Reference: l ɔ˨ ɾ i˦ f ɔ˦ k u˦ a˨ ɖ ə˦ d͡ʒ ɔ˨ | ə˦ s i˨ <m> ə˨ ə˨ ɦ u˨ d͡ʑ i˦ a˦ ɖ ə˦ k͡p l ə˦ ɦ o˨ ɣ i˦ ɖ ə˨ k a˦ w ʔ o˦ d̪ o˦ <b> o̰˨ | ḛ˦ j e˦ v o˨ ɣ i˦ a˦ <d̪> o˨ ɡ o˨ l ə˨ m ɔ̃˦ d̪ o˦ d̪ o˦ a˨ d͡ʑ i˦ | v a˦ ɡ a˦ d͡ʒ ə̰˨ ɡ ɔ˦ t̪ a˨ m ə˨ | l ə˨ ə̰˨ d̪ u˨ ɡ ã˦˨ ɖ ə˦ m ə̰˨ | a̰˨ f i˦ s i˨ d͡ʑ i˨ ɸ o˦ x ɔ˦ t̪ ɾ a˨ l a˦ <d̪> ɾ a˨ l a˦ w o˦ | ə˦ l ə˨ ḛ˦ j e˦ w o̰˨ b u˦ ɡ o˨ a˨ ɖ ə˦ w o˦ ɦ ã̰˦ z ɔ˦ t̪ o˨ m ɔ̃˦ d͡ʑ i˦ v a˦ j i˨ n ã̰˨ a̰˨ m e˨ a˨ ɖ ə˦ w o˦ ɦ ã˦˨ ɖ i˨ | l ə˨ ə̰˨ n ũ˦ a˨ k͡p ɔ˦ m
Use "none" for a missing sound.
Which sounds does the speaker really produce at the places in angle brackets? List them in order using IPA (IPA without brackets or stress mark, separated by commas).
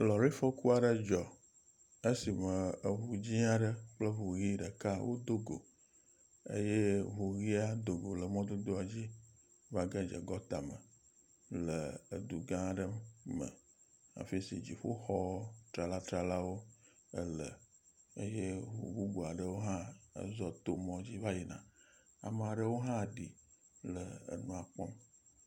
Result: m, ɡ, d̪, t̪